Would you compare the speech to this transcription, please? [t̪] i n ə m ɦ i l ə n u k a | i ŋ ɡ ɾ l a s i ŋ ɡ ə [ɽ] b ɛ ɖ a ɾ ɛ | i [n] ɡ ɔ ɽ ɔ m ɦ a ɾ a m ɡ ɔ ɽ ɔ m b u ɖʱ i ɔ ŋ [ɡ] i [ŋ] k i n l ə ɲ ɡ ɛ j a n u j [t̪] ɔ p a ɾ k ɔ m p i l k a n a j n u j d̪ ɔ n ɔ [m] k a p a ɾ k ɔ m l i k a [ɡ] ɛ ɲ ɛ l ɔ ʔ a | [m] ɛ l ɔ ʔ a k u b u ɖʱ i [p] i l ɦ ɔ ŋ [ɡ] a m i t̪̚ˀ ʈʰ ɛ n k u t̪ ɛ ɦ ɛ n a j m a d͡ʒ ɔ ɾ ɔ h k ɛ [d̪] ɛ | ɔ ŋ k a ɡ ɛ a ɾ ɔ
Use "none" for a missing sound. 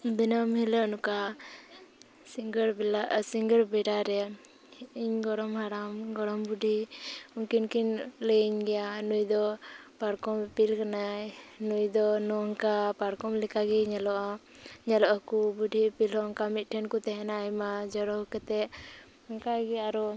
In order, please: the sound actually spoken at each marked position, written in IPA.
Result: d̪, ɾ, ɲ, k, n, d̪, ŋ, ɡ, ɲ, p, k, t̪

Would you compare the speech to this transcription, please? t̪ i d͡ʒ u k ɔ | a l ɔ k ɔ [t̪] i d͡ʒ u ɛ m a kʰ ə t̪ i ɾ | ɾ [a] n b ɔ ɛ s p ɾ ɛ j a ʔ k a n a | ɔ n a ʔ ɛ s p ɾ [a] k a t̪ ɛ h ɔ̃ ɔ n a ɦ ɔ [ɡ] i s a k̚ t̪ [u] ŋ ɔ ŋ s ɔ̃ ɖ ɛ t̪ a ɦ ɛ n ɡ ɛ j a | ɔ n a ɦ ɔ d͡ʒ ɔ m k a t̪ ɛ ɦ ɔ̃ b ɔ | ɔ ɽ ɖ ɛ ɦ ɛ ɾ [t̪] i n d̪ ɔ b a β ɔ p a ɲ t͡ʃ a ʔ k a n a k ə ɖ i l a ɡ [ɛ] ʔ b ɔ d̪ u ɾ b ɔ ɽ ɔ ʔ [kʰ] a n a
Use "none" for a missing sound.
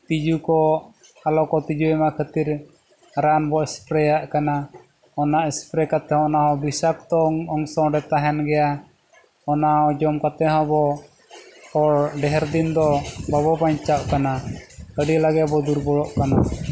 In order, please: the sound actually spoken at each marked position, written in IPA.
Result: t̪, a, ɛ, b, ɔ, d̪, ɛ, k

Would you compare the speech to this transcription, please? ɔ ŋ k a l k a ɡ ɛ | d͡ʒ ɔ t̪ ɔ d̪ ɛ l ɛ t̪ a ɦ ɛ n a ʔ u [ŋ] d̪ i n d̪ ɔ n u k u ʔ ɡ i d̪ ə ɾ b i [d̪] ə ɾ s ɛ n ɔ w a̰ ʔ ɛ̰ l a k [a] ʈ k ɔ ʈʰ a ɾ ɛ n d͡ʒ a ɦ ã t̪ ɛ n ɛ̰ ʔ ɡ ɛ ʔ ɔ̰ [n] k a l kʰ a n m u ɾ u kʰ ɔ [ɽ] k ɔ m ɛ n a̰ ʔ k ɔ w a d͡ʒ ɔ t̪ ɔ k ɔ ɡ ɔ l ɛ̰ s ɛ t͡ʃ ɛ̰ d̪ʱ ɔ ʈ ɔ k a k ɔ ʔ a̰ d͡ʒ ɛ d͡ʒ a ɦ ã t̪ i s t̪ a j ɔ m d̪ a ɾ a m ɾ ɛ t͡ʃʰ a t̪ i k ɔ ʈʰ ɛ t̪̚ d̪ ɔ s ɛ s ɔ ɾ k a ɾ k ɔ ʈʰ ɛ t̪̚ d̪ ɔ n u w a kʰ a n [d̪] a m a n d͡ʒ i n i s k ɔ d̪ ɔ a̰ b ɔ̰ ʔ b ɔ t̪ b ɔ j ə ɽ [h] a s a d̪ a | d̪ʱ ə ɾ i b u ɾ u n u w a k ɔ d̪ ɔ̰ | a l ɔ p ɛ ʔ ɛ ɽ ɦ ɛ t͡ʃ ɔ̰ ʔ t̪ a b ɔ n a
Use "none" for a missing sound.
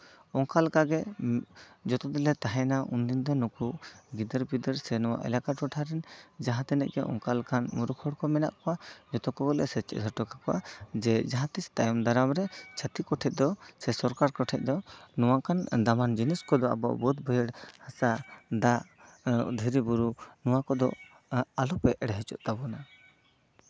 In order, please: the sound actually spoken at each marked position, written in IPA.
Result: n, d̪, a, ŋ, ɽ, d̪, h

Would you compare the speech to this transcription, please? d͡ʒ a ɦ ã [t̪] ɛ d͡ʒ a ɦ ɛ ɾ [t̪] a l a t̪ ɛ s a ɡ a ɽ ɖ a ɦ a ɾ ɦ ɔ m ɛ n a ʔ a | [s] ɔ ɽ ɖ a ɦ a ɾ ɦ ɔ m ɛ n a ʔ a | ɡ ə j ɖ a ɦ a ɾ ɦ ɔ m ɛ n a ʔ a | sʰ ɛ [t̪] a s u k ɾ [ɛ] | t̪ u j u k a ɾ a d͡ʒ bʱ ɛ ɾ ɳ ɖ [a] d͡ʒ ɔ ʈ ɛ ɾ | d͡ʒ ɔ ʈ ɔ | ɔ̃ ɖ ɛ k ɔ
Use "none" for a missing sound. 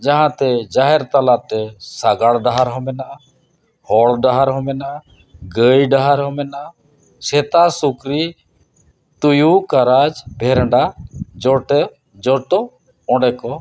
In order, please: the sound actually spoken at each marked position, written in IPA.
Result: t̪, t̪, h, t̪, i, a

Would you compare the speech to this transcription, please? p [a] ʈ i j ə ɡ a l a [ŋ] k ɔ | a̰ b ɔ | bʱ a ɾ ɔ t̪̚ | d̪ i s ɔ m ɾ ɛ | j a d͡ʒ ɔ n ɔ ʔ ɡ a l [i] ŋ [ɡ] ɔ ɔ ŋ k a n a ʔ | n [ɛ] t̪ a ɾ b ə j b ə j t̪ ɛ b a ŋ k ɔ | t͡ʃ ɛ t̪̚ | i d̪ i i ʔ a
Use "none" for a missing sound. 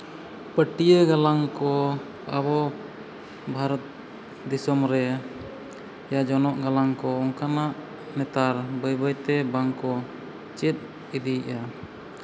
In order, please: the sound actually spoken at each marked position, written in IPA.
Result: ə, ŋ, a, k, ɛ

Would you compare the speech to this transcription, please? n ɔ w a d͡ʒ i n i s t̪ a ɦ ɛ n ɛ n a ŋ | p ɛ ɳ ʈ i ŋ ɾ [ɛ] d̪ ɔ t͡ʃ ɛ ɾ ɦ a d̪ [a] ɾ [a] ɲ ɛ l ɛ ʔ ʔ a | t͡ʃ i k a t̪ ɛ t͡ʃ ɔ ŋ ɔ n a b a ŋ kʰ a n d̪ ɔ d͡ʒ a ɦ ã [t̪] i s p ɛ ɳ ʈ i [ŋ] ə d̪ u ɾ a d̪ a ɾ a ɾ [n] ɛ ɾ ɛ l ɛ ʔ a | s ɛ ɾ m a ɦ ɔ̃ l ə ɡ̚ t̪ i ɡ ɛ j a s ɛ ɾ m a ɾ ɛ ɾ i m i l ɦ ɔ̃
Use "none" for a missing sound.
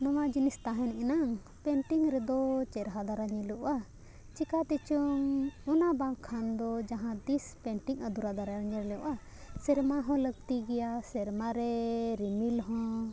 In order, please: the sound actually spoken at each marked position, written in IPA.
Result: ɛ, a, a, d̪, ŋ, ɲ

